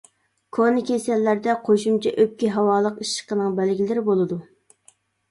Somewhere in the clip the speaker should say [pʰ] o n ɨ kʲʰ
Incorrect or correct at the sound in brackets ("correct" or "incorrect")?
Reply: incorrect